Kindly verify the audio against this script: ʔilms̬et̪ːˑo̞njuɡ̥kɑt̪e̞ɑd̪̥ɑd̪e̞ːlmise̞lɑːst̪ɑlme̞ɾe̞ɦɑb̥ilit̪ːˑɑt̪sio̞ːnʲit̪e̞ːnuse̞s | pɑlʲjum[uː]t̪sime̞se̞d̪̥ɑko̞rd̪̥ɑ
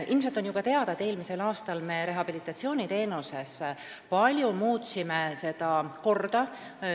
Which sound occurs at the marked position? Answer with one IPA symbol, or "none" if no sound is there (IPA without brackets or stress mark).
uː